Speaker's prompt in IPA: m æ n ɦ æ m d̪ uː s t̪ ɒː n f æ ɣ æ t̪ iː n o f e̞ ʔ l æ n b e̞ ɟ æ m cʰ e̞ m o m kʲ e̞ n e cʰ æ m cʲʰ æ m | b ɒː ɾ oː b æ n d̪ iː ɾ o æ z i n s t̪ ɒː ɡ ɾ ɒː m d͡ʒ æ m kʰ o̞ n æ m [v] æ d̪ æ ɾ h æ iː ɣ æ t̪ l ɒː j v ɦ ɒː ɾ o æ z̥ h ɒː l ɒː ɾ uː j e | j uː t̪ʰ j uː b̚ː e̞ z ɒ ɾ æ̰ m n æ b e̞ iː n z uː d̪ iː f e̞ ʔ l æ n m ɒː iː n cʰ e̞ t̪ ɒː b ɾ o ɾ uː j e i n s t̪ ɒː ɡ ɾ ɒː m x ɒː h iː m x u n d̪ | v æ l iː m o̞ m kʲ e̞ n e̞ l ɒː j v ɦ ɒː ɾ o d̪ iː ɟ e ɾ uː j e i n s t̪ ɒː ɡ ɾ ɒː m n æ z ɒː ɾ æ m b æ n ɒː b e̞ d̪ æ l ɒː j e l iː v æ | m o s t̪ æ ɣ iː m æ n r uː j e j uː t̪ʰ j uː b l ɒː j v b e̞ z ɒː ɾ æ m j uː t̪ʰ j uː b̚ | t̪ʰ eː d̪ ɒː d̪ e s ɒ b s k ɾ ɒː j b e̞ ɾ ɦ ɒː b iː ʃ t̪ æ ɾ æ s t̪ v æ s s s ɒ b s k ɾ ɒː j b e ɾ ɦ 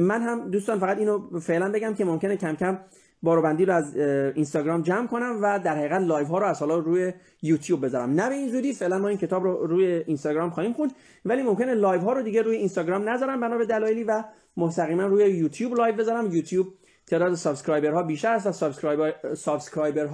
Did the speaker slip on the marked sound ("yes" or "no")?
no